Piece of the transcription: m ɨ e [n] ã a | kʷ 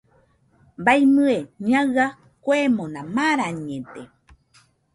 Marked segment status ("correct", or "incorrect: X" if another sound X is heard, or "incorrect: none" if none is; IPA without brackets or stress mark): incorrect: ɲ